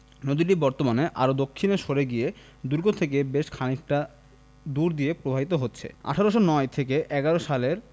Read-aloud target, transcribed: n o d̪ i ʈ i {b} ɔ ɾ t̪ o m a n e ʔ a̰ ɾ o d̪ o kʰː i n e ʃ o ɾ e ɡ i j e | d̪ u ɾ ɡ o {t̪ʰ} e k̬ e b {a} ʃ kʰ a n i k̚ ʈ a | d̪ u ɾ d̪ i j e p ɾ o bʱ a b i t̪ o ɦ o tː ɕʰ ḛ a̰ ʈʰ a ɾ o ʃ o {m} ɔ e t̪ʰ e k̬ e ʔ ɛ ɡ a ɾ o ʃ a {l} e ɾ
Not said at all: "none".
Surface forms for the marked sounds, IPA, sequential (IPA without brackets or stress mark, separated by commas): b, t̪ʰ, e, n, l